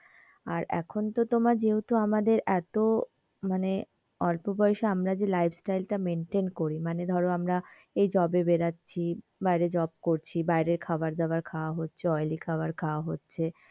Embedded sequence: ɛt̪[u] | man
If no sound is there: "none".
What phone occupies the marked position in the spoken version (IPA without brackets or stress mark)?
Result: o